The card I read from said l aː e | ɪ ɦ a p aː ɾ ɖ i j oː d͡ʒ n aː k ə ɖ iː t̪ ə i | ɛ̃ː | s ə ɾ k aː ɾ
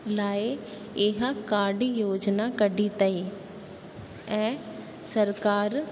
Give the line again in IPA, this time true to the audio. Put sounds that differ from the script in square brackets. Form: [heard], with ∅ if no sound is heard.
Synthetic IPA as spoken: l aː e | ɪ ɦ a [k] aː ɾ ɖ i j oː d͡ʒ n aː k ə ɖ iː t̪ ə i | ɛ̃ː | s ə ɾ k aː ɾ